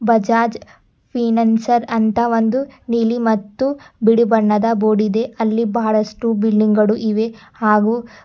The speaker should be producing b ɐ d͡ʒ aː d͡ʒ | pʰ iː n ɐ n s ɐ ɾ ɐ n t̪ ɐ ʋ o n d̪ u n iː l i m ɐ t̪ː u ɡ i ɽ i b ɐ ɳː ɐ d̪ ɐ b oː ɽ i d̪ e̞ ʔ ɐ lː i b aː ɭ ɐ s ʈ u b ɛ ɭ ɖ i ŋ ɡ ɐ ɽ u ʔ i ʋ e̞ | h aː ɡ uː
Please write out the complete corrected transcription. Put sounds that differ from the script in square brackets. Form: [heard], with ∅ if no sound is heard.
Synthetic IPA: b ɐ d͡ʒ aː d͡ʒ | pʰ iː n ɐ n s ɐ ɾ ɐ n t̪ ɐ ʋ o n d̪ u n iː l i m ɐ t̪ː u [b] i ɽ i b ɐ ɳː ɐ d̪ ɐ b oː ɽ i d̪ e̞ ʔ ɐ lː i b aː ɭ ɐ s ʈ u b [i] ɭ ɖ i ŋ ɡ ɐ ɽ u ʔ i ʋ e̞ | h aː ɡ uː